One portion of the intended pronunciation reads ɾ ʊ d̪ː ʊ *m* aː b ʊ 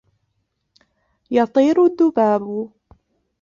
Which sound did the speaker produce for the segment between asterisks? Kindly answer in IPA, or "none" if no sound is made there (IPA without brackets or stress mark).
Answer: b